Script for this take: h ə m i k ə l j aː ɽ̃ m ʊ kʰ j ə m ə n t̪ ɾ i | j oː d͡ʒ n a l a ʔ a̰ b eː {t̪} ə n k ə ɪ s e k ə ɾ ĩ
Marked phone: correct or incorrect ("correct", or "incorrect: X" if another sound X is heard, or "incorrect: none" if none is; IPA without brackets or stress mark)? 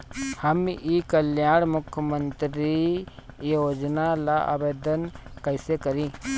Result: incorrect: d̪